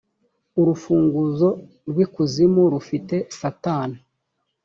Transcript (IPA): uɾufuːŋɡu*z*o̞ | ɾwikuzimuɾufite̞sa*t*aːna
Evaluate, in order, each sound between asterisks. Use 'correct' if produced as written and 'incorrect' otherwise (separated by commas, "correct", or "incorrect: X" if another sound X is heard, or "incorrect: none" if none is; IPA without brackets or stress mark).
correct, correct